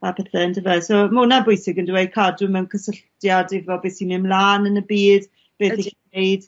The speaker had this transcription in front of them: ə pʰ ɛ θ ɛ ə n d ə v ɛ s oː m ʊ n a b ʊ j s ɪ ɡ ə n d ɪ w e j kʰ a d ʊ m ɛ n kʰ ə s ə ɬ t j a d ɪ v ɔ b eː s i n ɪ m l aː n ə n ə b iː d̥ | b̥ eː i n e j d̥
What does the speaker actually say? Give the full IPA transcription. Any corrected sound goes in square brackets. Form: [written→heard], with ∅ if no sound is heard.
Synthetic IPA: [ə→a] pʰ ɛ θ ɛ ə n d ə v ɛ s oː m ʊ n a b ʊ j s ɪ ɡ ə n d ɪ w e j kʰ a d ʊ m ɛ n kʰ ə s ə ɬ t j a d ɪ v ɔ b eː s i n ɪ m l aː n ə n ə b iː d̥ | b̥ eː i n e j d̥